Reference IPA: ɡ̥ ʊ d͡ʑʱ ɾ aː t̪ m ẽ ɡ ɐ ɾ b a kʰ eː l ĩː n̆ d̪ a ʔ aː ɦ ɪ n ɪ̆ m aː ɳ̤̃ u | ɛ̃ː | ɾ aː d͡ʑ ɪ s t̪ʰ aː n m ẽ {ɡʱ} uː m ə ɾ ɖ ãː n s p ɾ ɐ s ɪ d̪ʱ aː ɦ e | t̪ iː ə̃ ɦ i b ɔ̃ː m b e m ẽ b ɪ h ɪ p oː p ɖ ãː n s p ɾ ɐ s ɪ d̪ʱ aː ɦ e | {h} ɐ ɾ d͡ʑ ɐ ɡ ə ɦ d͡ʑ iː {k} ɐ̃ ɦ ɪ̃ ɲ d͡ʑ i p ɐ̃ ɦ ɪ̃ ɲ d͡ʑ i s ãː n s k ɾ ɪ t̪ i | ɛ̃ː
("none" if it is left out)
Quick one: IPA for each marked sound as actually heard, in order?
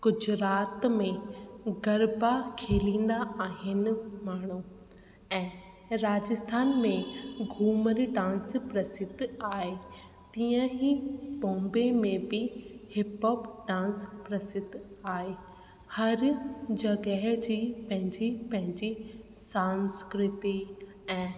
ɡʱ, h, p

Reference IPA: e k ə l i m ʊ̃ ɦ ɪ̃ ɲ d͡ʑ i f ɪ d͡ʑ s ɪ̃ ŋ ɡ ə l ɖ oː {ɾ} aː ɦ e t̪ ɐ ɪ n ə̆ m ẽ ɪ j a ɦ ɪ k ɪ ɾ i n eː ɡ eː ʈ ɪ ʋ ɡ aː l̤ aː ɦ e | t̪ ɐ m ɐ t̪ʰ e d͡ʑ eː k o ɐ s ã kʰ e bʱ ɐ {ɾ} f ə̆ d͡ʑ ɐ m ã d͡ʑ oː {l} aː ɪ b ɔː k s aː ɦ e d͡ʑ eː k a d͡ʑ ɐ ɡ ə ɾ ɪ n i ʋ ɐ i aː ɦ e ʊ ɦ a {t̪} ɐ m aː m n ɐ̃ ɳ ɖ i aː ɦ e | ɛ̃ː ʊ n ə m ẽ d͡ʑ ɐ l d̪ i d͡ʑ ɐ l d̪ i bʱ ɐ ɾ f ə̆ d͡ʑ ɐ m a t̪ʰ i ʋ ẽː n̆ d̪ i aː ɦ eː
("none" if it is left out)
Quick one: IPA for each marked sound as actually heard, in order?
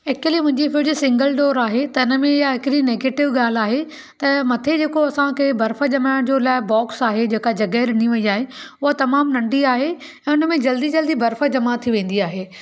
ɾ, ɾ, l, t̪

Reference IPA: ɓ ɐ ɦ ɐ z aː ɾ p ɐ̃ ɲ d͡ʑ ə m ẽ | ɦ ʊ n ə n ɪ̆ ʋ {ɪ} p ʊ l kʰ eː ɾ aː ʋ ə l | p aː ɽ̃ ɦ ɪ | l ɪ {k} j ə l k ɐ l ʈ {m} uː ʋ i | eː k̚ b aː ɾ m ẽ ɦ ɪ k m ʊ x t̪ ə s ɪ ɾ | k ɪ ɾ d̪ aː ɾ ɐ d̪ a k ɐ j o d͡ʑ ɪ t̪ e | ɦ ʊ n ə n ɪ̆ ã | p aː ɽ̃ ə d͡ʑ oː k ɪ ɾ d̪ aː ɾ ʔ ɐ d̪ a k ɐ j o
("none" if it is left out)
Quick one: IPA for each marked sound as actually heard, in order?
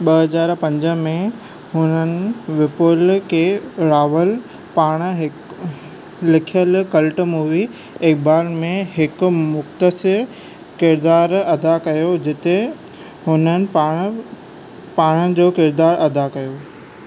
ɪ, kʰ, m

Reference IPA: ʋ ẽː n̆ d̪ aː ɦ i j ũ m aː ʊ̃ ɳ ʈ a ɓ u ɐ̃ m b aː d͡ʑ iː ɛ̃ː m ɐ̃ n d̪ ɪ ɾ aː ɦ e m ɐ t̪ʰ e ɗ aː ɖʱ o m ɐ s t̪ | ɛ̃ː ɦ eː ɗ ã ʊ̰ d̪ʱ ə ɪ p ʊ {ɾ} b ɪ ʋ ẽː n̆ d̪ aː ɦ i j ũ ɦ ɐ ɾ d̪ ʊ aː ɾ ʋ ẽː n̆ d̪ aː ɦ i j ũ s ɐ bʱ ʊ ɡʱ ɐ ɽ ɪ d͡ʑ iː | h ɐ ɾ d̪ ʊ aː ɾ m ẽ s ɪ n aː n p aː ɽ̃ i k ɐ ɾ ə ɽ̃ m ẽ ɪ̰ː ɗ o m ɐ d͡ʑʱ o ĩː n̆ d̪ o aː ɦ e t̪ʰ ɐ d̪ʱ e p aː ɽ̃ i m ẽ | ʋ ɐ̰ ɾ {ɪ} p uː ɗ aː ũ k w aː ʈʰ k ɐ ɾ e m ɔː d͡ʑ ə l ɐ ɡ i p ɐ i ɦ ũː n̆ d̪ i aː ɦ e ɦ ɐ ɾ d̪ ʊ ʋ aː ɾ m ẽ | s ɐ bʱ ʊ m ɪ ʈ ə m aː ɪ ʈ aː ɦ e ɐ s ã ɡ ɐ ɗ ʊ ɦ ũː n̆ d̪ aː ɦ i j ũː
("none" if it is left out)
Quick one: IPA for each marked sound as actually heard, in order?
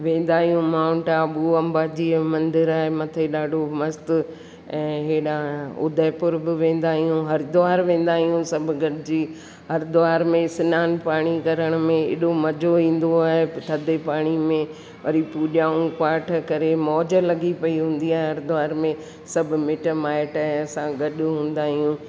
ɾ, i

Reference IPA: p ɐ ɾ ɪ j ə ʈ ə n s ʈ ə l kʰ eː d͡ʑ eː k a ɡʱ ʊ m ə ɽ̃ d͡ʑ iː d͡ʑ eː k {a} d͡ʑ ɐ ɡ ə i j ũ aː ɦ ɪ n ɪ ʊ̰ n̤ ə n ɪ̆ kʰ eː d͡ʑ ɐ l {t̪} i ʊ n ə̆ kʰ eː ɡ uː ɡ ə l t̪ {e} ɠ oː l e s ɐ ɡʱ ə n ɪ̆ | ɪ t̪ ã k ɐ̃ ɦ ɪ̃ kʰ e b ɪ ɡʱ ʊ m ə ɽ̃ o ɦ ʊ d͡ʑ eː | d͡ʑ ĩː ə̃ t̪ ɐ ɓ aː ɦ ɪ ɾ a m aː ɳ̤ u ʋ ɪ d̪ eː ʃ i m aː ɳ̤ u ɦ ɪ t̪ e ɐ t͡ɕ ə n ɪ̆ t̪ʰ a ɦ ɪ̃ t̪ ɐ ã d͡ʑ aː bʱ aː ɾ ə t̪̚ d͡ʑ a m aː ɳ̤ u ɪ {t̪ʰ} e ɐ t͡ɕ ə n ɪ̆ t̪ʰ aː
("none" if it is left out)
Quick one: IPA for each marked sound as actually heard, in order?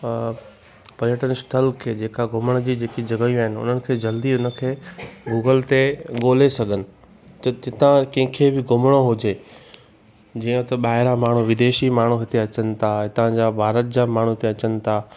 i, d̪, e, t̪

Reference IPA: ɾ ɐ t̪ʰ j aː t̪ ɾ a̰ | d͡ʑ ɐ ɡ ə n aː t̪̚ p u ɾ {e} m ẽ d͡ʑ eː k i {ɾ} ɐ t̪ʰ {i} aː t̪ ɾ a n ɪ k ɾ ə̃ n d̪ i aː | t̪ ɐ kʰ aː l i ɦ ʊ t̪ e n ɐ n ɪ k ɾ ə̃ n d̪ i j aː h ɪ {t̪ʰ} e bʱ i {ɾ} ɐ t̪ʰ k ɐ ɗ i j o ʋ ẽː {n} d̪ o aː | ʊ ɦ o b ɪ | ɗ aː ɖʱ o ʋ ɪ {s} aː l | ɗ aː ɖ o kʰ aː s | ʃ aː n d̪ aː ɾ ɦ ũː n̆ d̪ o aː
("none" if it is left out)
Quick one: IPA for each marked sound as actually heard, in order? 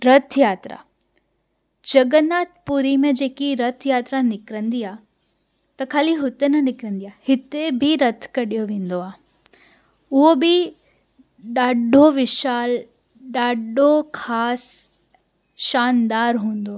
i, ɾ, j, t̪, ɾ, n, ʃ

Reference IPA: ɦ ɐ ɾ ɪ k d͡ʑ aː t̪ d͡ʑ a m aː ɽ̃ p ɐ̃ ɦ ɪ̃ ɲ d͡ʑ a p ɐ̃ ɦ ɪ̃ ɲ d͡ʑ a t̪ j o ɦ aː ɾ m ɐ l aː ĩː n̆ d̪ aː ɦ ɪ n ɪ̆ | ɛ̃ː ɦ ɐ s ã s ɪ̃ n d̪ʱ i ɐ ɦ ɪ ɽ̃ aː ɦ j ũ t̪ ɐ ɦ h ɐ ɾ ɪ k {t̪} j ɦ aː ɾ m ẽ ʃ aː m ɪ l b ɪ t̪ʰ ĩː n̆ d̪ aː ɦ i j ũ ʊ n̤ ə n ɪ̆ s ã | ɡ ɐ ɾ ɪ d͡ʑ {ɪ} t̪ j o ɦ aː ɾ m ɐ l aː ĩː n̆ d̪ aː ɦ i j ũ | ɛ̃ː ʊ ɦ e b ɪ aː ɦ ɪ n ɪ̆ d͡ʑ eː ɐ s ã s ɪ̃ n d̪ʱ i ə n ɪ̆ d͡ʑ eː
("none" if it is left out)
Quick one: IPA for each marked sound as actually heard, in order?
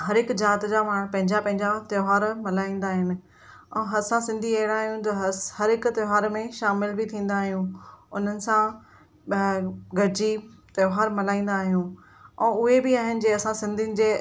t̪, i

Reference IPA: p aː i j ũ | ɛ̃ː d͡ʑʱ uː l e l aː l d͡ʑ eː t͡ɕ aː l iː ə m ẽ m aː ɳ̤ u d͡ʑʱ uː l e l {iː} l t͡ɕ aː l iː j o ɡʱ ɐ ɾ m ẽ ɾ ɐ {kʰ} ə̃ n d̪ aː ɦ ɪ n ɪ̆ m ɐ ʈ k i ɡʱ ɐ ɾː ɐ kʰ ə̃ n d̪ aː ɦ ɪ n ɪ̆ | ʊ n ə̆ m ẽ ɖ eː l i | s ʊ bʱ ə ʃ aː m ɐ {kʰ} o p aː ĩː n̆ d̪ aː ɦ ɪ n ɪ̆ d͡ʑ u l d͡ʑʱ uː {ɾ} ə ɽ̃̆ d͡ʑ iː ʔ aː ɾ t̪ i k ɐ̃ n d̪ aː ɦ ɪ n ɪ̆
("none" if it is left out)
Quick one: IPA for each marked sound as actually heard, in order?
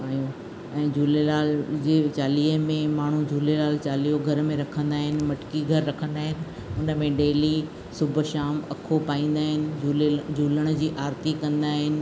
aː, kʰ, kʰ, l

